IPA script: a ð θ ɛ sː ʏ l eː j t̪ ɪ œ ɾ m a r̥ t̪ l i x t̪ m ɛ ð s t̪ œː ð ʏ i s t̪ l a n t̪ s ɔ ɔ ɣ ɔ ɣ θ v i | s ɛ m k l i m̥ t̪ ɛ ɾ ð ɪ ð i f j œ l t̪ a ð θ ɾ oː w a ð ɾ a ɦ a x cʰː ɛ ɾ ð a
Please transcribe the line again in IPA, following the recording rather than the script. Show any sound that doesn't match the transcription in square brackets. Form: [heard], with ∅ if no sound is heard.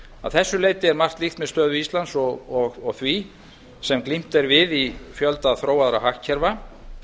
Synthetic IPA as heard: a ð θ ɛ sː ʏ l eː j t̪ ɪ [ɛ] ɾ m a r̥ t̪ l i x t̪ m ɛ ð s t̪ œː ð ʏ i s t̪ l a n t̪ s ɔ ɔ ɣ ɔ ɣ θ v i | s ɛ m k l i m̥ t̪ ɛ ɾ [v] ɪ ð i f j œ l t̪ a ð θ ɾ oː w a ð ɾ a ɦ a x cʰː ɛ ɾ [v] a